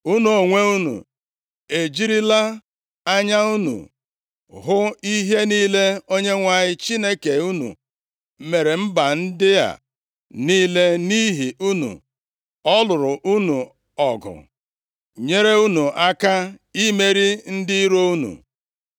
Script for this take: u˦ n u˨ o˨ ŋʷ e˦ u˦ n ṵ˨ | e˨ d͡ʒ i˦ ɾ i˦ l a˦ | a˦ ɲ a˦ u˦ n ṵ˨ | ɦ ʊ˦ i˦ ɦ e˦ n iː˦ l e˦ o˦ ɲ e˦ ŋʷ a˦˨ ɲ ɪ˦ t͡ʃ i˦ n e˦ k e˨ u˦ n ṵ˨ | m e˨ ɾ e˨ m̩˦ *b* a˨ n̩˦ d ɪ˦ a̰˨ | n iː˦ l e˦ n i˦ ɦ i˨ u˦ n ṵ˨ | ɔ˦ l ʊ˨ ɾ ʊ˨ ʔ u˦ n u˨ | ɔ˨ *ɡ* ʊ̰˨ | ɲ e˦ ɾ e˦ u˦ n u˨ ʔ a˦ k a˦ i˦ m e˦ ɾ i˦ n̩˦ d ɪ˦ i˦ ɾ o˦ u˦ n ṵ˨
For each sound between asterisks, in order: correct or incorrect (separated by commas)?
correct, correct